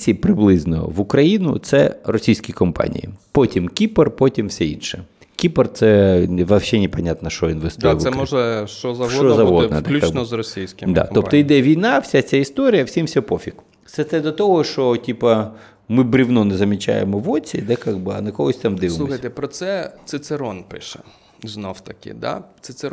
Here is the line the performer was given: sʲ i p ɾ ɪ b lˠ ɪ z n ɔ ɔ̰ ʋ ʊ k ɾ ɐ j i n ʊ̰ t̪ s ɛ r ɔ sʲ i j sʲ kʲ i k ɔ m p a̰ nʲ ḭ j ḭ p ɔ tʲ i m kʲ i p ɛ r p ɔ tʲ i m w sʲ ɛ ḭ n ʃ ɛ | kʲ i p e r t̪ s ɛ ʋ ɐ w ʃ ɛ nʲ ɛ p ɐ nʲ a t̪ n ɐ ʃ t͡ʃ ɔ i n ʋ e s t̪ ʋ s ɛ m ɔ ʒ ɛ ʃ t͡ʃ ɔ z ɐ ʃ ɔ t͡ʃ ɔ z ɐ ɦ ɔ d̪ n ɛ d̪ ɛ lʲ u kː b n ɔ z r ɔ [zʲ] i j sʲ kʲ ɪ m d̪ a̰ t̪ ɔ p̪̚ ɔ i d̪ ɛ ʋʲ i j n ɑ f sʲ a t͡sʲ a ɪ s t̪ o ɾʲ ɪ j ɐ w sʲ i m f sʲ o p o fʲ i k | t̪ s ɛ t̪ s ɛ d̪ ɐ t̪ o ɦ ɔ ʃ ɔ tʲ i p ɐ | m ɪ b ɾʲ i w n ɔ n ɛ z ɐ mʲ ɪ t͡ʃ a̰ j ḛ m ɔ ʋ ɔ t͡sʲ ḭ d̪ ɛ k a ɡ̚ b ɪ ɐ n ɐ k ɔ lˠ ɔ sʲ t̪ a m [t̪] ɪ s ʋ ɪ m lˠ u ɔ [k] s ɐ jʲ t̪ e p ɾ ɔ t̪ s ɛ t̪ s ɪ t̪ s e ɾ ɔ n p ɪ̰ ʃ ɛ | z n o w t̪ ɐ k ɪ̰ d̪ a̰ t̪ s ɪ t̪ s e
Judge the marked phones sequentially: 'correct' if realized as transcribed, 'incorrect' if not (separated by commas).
incorrect, incorrect, incorrect